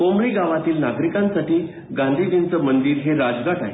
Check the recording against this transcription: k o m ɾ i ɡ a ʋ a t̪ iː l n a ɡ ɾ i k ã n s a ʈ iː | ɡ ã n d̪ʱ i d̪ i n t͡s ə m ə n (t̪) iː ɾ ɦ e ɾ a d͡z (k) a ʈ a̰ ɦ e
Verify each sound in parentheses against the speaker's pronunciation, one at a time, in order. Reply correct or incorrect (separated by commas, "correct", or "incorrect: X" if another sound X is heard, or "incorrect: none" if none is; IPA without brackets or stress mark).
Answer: incorrect: d̪, incorrect: ɡ